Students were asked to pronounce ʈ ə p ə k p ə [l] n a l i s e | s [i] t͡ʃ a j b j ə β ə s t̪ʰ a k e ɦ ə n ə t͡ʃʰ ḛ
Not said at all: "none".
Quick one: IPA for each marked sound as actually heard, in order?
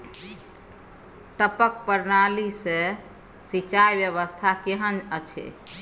ɾ, i

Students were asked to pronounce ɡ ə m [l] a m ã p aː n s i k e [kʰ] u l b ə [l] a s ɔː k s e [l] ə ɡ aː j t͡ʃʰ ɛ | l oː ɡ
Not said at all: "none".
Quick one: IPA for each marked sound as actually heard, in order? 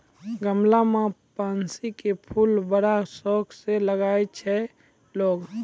l, pʰ, ɽ, l

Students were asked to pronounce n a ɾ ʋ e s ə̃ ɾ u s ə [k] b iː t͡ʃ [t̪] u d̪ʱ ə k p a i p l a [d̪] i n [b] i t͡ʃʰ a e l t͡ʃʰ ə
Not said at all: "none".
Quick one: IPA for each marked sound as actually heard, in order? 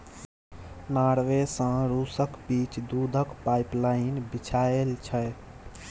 k, d̪, none, b

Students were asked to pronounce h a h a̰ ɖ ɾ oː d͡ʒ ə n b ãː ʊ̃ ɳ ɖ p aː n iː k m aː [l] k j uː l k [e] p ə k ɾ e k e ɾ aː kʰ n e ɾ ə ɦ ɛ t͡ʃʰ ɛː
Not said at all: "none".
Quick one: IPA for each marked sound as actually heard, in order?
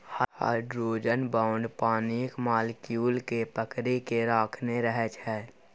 l, e

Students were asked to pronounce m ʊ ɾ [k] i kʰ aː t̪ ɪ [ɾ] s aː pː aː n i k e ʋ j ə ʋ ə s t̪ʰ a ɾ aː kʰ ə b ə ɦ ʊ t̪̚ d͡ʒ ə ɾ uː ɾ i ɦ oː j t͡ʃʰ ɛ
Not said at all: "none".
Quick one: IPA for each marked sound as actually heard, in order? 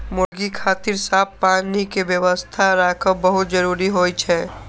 ɡ, ɾ

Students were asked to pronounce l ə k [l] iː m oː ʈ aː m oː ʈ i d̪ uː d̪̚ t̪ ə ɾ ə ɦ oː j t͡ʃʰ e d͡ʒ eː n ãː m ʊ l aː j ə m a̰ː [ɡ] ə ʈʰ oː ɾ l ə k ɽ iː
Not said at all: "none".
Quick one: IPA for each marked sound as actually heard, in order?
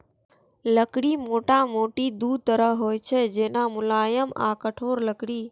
ɽ, k

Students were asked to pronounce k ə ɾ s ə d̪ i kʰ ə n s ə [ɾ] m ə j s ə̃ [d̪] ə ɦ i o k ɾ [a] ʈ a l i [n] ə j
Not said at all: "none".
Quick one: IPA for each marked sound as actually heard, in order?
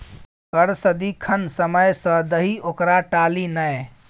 none, d̪, a, n

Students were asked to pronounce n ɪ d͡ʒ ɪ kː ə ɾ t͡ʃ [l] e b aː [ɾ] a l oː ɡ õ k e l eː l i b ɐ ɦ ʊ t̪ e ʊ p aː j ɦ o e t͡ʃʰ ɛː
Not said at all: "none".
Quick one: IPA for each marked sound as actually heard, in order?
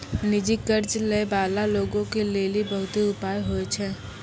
l, l

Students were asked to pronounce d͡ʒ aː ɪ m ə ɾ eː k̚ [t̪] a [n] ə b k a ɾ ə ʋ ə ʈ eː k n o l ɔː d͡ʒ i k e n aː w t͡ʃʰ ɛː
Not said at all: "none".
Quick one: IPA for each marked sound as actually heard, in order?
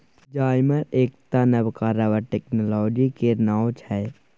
t̪, n

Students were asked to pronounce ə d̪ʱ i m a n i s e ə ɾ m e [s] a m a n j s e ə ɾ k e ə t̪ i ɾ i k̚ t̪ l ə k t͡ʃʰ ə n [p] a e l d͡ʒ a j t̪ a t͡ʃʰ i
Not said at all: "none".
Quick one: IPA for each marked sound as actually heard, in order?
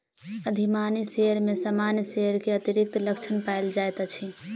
s, p

